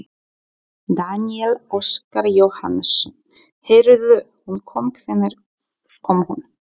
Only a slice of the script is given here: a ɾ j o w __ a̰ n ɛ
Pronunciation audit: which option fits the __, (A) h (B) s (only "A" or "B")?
A